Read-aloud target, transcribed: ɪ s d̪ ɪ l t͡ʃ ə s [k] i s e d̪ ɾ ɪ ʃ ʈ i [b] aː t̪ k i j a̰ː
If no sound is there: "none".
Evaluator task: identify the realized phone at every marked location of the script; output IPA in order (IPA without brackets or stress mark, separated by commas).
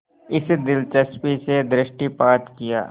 p, p